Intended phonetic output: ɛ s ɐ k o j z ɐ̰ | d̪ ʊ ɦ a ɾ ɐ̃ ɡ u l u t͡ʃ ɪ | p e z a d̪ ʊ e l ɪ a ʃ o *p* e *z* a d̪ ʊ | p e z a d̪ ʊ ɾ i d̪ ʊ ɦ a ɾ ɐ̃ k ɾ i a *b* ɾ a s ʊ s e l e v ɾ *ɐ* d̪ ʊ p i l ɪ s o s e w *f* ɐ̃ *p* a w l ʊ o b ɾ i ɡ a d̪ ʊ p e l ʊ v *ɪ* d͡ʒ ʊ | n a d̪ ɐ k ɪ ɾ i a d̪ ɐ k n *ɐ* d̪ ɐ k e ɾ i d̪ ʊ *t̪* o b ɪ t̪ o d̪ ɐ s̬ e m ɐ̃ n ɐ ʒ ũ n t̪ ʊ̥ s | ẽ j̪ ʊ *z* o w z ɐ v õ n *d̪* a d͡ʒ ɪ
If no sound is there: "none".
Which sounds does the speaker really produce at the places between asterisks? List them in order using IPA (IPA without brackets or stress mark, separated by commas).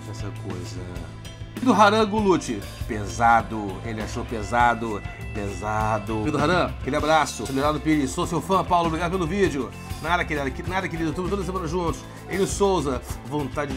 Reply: p, z, b, a, f, p, i, a, t̪, s, t̪